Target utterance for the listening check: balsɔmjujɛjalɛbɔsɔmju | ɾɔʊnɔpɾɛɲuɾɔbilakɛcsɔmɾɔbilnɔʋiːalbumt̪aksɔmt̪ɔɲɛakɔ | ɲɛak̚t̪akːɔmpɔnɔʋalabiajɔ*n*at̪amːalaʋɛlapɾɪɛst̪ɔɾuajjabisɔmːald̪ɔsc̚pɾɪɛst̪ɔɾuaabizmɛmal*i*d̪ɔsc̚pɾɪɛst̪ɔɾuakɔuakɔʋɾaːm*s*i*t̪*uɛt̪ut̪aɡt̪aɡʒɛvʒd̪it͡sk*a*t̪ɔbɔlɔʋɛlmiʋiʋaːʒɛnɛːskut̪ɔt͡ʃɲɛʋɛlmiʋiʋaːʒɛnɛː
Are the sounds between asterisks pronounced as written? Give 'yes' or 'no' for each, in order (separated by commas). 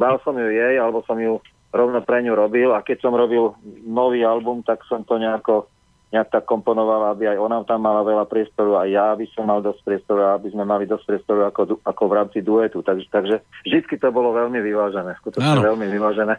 yes, yes, no, no, no